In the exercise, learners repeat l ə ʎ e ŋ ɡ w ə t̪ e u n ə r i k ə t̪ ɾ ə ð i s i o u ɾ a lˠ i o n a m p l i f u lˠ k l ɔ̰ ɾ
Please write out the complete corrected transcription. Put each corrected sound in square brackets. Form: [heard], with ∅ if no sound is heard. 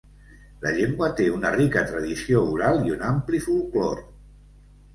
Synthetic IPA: l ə ʎ e ŋ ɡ w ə t̪ e u n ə r i k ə t̪ ɾ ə ð i s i o u ɾ a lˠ i [u] n a m p l i f u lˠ k l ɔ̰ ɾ

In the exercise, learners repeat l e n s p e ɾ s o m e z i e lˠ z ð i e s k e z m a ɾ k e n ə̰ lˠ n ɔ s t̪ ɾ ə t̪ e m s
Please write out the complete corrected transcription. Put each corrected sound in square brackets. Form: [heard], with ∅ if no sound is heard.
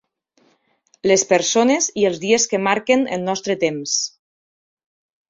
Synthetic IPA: l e [∅] s p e ɾ s o [n] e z i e lˠ z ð i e s k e [∅] m a ɾ k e n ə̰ lˠ n ɔ s t̪ ɾ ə t̪ e m s

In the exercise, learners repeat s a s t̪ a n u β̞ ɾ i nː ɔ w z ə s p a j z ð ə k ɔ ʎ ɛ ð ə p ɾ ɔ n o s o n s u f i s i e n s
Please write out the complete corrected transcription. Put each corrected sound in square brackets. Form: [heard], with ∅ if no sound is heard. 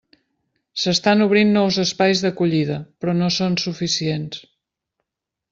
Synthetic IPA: s [ə] s t̪ a n u β̞ ɾ i nː ɔ w z ə s p a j z ð ə k [u] ʎ [i] ð ə p ɾ ɔ n o s o n s u f i s i e n s

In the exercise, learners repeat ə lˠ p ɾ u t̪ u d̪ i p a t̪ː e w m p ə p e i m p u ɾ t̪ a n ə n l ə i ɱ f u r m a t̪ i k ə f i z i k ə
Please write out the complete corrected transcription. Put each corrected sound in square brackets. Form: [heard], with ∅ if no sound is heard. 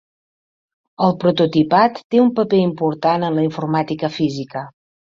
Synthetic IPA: ə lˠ p ɾ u t̪ u [t̪] i p a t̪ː e [u] m p ə p e i m p u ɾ t̪ a n ə n l ə i ɱ f u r m a t̪ i k ə f i z i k ə

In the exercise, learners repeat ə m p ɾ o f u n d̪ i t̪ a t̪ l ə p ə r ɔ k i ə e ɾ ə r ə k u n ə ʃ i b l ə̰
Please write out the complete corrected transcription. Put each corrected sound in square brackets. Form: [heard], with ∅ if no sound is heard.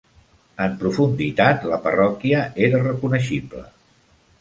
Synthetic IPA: ə m p ɾ [u] f u n d̪ i t̪ a t̪ l ə p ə r ɔ k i ə e ɾ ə r ə k u n ə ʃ i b l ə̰

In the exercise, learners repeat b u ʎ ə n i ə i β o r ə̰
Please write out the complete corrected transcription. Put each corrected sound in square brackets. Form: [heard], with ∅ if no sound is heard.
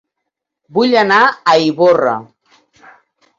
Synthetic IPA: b u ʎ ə n [a] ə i β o r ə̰

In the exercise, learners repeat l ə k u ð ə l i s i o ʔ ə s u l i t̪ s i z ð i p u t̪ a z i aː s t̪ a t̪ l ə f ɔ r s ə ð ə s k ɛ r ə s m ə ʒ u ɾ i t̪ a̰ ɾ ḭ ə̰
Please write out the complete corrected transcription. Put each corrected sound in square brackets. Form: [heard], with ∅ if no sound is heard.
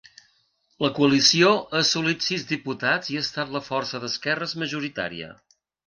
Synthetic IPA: l ə k u [∅] ə l i s i o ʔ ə s u l i t̪ s i z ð i p u t̪ a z i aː s t̪ a t̪ l ə f ɔ r s ə ð ə s k ɛ r ə [z] m ə ʒ u ɾ i t̪ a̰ ɾ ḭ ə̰

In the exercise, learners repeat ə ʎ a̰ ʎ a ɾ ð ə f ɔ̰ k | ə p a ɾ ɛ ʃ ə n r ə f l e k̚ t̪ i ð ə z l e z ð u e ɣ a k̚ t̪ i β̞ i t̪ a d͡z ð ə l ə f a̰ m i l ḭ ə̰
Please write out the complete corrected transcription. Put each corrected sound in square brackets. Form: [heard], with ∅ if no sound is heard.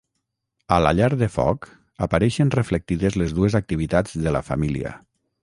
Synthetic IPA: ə [l] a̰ ʎ a ɾ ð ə f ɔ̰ k | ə p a ɾ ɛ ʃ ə n r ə f l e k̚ t̪ i ð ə z l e z ð u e [z] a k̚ t̪ i β̞ i t̪ a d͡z ð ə l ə f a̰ m i l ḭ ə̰

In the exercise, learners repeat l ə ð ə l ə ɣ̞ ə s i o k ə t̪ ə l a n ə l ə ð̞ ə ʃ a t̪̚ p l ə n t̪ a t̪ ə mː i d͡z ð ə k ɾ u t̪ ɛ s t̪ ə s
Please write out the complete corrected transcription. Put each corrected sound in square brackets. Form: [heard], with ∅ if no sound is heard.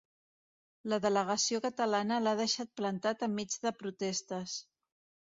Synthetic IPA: l ə ð ə l ə ɣ̞ ə s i o k ə t̪ ə l a n ə l [a] ð̞ ə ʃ a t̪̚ p l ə n t̪ a t̪ ə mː i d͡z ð ə [p] ɾ u t̪ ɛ s t̪ ə s

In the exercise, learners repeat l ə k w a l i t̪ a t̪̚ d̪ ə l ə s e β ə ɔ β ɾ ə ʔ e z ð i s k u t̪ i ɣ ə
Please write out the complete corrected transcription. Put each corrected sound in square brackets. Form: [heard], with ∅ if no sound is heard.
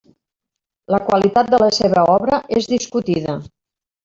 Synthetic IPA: l ə k w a l i t̪ a t̪̚ d̪ ə l ə s e β ə ɔ β ɾ ə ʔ e z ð i s k u t̪ i [ð] ə

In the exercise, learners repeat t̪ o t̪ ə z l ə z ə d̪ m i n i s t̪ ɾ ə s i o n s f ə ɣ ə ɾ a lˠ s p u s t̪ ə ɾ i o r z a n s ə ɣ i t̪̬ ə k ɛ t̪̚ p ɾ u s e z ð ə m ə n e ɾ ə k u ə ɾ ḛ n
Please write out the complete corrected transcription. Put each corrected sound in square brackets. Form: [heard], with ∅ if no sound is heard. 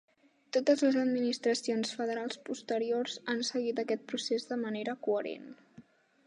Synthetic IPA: t̪ o t̪ ə z l ə z ə d̪ m i n i s t̪ ɾ ə s i o n s f ə [ð] ə ɾ a lˠ s p u s t̪ ə ɾ i o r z a n s ə ɣ i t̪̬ ə k ɛ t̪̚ p ɾ u s e z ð ə m ə n e ɾ ə k u ə ɾ ḛ n

